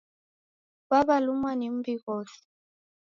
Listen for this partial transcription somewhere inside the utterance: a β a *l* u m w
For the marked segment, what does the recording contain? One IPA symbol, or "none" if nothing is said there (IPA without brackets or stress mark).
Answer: l